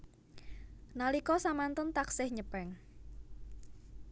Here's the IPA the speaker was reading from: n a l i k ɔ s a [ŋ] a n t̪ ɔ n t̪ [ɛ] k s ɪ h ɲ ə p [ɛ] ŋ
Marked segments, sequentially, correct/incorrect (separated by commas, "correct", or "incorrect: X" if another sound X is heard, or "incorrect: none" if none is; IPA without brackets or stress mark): incorrect: m, incorrect: a, correct